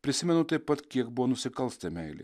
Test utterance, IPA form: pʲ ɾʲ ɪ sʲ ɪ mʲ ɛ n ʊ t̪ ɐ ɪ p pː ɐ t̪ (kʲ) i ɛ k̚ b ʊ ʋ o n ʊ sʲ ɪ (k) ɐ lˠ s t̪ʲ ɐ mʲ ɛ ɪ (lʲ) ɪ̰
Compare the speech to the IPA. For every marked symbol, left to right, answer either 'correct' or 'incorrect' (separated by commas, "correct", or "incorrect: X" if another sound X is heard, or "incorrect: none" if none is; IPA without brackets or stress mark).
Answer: correct, correct, correct